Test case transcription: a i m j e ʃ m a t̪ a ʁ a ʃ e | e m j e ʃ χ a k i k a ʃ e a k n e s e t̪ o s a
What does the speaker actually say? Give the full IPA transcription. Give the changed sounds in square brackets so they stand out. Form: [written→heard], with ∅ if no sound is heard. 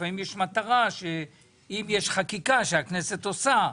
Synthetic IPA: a i m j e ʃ m a t̪ a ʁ a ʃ e | [e→i] m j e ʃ χ a k i k a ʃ e a k n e s e t̪ o s a